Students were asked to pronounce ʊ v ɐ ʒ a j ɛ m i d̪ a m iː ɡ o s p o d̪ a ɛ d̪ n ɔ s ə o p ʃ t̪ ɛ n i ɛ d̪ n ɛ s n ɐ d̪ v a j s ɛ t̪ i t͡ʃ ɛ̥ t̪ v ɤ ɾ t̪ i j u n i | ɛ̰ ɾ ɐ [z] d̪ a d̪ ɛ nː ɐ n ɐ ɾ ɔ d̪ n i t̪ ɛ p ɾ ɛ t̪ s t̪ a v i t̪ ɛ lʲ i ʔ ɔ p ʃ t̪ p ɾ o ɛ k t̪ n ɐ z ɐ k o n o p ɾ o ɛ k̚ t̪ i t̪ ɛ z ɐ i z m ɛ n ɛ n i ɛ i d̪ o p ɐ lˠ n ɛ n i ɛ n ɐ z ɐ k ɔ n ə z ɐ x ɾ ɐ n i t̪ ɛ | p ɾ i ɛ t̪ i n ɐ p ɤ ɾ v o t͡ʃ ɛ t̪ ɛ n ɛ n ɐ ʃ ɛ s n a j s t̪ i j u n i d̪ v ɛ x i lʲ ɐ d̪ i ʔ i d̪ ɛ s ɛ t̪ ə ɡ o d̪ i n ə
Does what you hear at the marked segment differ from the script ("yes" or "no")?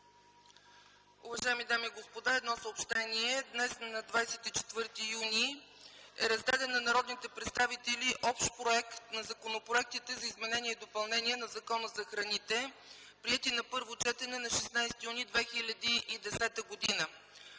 no